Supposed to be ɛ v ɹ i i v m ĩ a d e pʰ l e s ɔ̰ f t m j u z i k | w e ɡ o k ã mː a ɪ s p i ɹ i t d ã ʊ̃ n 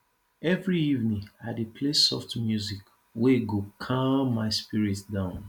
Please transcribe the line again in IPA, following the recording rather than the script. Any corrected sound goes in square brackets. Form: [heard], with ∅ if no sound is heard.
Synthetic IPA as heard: ɛ v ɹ i i v [n] ĩ a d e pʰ l e s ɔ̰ f t m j u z i k | w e ɡ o [kʰ] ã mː a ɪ s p i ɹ i t d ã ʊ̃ n